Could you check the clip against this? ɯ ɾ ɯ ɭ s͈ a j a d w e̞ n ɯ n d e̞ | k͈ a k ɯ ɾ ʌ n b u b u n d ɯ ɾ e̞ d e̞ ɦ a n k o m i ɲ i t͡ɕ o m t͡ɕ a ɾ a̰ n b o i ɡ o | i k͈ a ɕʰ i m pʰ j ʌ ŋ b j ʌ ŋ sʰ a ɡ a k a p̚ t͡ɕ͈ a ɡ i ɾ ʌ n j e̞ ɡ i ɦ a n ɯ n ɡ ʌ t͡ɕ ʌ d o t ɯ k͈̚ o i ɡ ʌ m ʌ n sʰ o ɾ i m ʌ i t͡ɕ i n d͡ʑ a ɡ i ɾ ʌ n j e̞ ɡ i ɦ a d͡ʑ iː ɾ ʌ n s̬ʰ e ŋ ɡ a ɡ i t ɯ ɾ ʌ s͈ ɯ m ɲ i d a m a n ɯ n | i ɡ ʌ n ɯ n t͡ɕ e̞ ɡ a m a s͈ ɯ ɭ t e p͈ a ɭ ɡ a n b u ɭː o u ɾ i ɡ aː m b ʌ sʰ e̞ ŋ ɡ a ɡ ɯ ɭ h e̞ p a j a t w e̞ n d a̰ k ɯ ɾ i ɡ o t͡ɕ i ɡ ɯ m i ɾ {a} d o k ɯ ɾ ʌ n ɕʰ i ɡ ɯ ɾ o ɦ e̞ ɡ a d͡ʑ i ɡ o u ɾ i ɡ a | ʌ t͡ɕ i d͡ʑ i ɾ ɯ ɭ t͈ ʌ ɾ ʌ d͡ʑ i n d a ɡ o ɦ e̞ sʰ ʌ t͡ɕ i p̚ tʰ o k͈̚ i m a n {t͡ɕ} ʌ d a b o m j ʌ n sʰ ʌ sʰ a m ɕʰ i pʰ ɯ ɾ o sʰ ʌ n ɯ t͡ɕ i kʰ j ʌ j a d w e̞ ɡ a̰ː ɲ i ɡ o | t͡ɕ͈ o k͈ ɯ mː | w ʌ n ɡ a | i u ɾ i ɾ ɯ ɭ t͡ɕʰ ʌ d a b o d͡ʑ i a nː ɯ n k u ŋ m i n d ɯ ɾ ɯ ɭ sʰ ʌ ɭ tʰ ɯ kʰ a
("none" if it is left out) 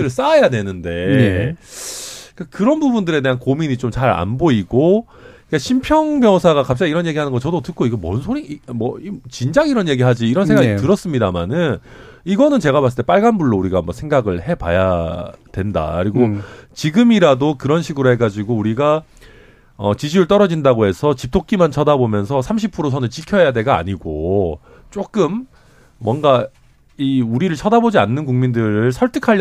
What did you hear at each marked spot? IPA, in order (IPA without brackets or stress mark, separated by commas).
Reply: a, t͡ɕʰ